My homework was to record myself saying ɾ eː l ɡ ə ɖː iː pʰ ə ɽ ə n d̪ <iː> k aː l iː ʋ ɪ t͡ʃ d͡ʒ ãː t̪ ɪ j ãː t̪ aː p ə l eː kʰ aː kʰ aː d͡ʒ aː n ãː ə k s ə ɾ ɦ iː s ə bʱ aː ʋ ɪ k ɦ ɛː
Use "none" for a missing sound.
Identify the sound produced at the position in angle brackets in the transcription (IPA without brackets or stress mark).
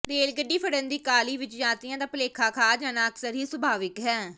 iː